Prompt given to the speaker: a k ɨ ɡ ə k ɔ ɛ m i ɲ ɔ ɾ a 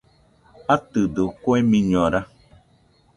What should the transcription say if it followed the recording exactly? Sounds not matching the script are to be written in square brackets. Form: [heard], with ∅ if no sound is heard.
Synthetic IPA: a [t] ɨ [d] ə k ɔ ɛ m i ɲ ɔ ɾ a